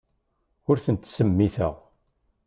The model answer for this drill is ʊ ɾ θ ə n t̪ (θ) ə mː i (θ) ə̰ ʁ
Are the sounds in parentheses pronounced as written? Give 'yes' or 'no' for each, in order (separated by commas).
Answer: no, yes